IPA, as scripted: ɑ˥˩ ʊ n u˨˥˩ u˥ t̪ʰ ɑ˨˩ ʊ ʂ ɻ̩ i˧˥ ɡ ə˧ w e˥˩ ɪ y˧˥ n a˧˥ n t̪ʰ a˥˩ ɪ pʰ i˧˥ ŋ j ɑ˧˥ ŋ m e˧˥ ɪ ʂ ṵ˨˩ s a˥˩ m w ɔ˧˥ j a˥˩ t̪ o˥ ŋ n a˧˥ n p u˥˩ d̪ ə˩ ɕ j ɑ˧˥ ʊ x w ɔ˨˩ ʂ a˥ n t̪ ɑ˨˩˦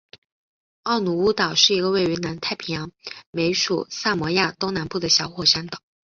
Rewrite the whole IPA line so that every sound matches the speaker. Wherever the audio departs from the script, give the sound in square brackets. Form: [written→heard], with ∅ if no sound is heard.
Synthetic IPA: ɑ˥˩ ʊ n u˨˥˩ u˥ [t̪ʰ→t̪] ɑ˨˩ ʊ ʂ ɻ̩ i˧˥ ɡ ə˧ w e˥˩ ɪ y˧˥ n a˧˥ n t̪ʰ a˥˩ ɪ pʰ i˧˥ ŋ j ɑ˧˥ ŋ m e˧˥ ɪ ʂ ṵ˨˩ s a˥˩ m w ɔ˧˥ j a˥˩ t̪ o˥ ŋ n a˧˥ n p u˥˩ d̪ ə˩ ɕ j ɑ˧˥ ʊ x w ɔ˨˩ ʂ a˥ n t̪ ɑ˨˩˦